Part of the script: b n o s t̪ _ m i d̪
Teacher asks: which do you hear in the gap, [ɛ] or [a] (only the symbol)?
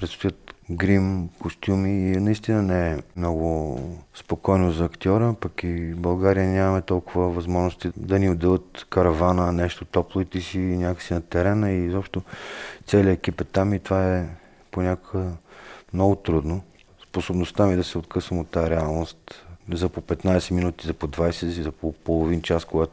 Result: a